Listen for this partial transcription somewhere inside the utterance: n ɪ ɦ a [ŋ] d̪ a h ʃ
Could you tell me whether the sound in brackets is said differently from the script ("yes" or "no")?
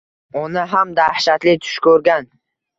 yes